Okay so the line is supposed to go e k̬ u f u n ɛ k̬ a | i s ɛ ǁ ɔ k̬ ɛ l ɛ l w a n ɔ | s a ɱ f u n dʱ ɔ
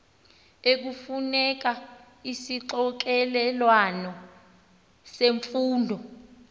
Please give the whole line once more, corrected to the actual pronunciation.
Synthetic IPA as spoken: e k̬ u f u n ɛ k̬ a | i s i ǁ ɔ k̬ ɛ l ɛ l w a n ɔ | s e ɱ f uː n dʱ ɔ